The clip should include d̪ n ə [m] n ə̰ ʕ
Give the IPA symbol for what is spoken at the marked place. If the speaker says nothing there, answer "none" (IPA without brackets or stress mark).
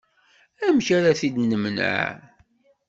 m